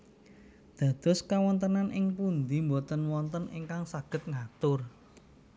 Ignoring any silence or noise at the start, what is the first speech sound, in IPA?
d̪̥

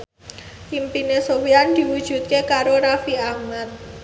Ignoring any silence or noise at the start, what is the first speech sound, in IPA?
i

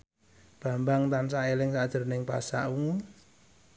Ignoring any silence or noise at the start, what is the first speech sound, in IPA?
b̥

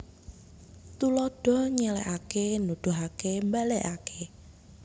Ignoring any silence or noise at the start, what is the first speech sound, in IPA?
t̪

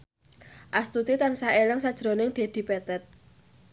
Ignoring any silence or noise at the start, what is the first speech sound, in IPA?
ʔ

